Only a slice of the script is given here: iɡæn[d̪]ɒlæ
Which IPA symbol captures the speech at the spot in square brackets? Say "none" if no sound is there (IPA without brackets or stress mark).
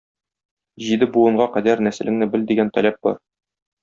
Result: t̪